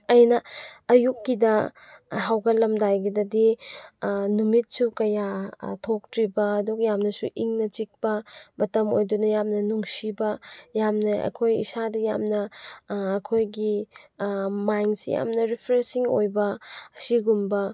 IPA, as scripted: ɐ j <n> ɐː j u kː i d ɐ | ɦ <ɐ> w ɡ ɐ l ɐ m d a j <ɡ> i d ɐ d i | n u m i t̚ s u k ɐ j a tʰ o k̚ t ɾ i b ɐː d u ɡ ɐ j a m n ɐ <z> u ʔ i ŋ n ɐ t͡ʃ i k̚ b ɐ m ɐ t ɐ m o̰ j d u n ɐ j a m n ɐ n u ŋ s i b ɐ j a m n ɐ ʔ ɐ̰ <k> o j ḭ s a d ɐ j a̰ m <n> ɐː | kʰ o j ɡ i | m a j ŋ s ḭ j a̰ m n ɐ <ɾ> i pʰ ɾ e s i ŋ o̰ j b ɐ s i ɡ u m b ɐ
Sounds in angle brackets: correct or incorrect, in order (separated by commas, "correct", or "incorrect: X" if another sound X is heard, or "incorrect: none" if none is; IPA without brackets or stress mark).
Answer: correct, incorrect: a, correct, incorrect: s, incorrect: kʰ, correct, correct